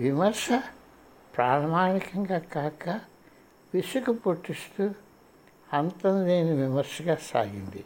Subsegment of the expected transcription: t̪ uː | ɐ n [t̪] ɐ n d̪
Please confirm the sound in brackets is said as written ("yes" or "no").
yes